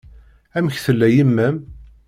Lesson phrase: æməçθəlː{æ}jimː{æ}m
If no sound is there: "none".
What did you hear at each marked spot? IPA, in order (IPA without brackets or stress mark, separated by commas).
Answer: æ, æ